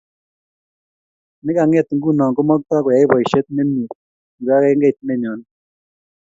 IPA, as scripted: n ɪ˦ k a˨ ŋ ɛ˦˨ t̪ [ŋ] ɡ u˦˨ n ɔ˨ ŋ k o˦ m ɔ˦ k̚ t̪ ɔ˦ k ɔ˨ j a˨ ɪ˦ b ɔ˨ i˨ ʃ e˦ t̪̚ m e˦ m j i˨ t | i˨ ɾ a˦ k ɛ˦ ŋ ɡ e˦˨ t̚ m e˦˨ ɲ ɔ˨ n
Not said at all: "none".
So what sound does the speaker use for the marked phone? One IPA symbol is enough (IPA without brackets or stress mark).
ŋ